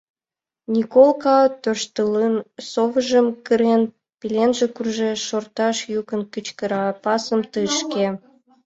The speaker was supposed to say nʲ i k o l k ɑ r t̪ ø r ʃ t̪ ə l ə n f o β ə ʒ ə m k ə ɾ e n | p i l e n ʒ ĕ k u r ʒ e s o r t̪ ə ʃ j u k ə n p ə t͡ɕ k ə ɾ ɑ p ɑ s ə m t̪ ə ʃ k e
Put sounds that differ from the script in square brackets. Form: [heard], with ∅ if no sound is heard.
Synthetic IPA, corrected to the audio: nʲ i k o l k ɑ [∅] t̪ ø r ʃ t̪ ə l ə n [s] o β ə ʒ ə m k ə ɾ e n | p i l e n ʒ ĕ k u r ʒ e [ʃ] o r t̪ [ɑ] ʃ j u k ə n [k] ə t͡ɕ k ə ɾ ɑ p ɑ s ə m t̪ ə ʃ k e